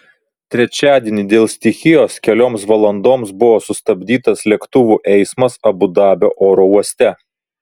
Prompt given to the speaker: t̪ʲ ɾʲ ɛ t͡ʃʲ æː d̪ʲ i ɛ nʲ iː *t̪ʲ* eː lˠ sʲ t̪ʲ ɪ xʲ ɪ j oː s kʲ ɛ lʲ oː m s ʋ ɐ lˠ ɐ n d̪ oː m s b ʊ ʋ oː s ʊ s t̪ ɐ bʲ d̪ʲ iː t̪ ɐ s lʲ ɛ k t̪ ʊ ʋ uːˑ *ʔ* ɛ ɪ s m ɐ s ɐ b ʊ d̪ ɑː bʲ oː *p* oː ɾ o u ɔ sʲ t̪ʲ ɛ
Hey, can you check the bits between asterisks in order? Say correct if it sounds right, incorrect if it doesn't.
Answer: incorrect: d̪ʲ, correct, incorrect: ʔ

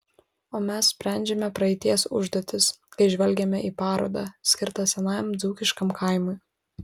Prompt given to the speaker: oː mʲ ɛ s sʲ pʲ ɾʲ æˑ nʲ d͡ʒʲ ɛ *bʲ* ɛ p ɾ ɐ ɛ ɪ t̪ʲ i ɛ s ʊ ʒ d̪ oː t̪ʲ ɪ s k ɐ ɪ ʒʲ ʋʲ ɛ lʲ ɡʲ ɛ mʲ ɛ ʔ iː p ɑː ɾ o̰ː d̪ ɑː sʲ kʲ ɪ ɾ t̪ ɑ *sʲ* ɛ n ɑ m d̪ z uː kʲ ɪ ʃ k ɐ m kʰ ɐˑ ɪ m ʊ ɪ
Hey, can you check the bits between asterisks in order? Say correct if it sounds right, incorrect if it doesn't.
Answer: incorrect: mʲ, correct

